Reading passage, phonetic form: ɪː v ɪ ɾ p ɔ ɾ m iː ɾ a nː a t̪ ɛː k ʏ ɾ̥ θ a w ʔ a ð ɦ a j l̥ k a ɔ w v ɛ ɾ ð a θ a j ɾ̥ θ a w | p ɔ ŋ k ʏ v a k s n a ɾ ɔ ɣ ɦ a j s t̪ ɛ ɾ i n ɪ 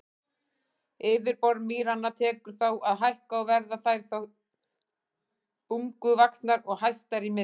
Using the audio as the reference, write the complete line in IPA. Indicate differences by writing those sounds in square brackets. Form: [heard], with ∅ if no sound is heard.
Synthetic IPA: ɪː v ɪ ɾ p ɔ ɾ m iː ɾ a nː a [t̪ʰ] ɛː k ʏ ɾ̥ θ a w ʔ a ð ɦ a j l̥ k a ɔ w v ɛ ɾ ð a θ a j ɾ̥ θ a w | p [u] ŋ k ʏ v a k s n a ɾ ɔ ɣ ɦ a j s t̪ [a] ɾ i [m] ɪ